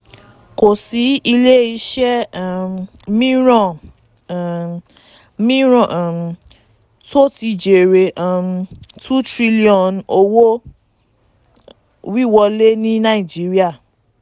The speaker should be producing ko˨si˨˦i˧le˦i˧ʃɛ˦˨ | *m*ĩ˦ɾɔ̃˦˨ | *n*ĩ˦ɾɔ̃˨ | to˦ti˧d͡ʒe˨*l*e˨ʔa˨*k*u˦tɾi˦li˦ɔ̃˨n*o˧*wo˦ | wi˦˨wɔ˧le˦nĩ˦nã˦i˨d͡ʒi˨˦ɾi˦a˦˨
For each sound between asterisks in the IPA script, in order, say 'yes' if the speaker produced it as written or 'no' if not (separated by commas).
yes, no, no, no, yes